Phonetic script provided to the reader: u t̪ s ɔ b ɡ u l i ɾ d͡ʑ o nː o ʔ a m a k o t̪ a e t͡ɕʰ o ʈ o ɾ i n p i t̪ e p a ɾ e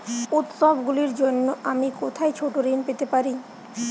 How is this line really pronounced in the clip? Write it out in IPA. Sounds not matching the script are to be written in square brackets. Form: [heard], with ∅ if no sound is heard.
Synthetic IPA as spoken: u t̪ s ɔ b ɡ u l i ɾ d͡ʑ o nː o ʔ a m [i] k o [t̪ʰ] a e t͡ɕʰ o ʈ o ɾ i n p [e] t̪ e p a ɾ [i]